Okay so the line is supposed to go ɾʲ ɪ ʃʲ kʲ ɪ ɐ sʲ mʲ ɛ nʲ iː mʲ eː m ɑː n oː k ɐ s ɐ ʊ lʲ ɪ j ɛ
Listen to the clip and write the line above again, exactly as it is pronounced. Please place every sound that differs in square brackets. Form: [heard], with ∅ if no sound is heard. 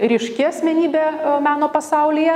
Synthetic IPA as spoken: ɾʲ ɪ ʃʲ kʲ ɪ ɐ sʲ mʲ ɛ nʲ iː [bʲ] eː m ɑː n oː [p] ɐ s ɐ ʊ lʲ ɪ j ɛ